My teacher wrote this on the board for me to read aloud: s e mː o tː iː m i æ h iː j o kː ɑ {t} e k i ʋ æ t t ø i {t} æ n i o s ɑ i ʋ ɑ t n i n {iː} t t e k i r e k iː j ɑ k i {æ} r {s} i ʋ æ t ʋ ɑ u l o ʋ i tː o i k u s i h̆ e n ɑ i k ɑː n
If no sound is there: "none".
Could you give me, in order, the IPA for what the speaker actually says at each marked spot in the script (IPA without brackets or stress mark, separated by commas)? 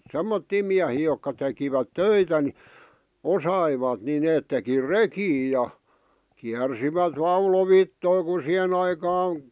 t, t, eː, æ, s